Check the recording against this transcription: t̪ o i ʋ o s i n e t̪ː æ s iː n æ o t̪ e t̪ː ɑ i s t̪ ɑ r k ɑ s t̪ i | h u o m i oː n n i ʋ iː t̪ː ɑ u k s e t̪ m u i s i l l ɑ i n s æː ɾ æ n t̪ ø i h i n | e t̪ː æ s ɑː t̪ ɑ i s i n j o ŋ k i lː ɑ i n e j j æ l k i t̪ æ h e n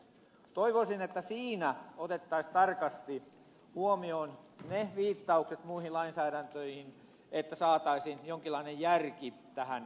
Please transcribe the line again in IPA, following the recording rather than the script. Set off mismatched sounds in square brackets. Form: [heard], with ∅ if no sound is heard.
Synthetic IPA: t̪ o i ʋ o s i n e t̪ː æ s iː n æ o t̪ e t̪ː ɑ i s t̪ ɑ r k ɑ s t̪ i | h u o m i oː n n [e] ʋ iː t̪ː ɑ u k s e t̪ m u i [h] i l l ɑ i n s æː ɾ æ n t̪ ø i h i n | e t̪ː æ s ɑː t̪ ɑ i s i n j o ŋ k i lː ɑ i n e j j æ [r] k i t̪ æ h [æ] n